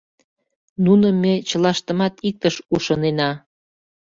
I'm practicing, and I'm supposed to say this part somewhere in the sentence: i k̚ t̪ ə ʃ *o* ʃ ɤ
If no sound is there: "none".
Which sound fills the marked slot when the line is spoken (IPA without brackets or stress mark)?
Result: u